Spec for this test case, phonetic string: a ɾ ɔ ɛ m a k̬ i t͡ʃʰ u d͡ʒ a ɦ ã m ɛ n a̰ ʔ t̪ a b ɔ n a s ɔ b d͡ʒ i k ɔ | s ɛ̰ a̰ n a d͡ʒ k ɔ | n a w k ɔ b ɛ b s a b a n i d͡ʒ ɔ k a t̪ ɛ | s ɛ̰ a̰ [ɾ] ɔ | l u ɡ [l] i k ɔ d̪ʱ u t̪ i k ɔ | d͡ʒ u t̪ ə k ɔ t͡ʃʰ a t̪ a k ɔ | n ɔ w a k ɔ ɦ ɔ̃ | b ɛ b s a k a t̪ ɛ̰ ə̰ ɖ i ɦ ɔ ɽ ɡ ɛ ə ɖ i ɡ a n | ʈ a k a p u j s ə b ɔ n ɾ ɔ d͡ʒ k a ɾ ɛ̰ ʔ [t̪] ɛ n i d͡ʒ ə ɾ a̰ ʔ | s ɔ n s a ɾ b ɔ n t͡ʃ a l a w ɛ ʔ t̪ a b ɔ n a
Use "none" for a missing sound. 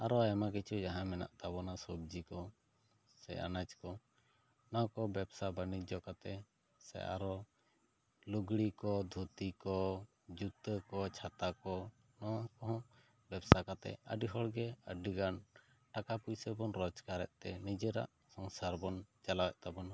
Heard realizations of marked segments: ɾ, ɽ, t̪

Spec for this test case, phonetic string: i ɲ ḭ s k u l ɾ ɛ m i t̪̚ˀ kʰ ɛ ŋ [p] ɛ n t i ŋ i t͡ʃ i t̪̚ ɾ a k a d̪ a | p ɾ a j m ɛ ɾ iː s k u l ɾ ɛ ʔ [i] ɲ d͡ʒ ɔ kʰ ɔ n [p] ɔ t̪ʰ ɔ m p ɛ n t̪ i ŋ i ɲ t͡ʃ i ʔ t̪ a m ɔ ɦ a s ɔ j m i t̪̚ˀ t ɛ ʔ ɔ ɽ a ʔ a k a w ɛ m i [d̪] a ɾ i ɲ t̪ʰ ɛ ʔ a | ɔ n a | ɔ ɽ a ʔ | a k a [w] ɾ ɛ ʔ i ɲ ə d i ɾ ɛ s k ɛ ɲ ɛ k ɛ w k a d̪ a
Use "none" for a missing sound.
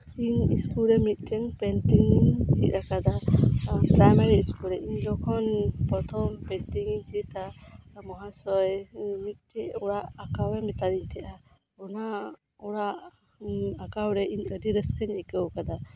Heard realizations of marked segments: p, i, p, t̪, w

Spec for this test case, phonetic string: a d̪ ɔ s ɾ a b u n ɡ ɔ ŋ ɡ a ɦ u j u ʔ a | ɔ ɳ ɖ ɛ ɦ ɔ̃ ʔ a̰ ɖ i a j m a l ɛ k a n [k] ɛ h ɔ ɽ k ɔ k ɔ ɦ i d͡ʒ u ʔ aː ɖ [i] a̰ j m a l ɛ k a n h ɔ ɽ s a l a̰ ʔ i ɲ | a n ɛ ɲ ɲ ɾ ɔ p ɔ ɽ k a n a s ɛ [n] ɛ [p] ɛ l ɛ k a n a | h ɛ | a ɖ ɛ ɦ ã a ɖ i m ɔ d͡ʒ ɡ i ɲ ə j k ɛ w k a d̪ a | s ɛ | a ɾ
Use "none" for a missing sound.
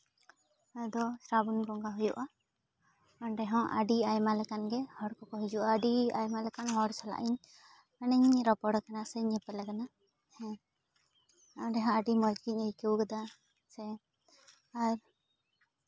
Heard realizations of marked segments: ɡ, i, ɲ, p

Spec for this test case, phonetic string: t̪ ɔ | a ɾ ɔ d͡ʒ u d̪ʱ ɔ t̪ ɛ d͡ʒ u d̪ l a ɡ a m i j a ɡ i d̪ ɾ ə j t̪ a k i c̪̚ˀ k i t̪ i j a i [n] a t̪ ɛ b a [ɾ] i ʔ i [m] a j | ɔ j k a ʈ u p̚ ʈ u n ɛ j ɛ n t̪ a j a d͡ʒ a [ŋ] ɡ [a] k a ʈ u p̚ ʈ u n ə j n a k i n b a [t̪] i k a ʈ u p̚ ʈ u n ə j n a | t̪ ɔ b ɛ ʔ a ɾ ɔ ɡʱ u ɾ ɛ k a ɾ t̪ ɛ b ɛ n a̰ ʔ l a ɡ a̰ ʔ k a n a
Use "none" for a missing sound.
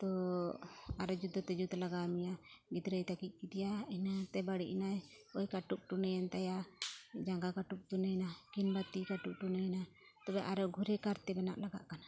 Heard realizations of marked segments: n, ɽ, n, ŋ, a, t̪

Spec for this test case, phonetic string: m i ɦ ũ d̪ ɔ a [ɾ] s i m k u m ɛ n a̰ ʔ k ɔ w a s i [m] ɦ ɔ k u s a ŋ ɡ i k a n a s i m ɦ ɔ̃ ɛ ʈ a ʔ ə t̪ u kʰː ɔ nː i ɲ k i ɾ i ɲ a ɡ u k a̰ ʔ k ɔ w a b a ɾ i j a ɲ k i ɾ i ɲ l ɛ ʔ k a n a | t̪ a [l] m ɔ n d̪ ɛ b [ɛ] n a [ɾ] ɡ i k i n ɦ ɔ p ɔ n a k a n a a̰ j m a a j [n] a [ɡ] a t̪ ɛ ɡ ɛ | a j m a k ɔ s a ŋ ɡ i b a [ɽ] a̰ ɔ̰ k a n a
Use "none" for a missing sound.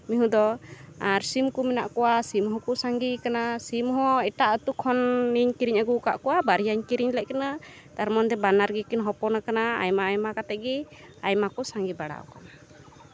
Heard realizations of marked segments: ɾ, m, ɾ, a, ɾ, m, k, ɽ

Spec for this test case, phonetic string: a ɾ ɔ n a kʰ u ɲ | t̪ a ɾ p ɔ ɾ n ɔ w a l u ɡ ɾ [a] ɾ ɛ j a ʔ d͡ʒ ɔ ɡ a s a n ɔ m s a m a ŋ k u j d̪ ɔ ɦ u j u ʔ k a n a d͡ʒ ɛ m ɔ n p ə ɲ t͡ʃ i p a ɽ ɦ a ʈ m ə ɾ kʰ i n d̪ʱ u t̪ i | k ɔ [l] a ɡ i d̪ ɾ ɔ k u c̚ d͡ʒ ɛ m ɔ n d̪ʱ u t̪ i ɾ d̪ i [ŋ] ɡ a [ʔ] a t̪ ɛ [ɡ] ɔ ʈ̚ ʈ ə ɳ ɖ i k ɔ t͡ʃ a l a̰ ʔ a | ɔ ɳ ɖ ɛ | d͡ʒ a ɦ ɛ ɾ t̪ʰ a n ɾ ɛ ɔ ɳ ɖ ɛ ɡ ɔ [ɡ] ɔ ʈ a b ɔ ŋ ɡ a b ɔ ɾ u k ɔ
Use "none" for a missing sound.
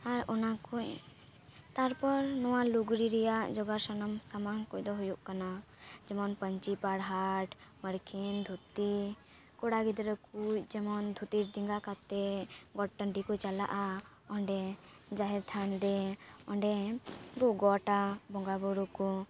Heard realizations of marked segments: i, ɽ, ŋ, k, ɡ, ɡ

